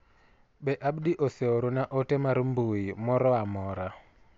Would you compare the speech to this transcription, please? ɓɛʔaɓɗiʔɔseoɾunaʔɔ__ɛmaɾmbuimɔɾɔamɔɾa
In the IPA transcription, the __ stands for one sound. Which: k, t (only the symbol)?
t